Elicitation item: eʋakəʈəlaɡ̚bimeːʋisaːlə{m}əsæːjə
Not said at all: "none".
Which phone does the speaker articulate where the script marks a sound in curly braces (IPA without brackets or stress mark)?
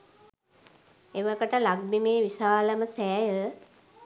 m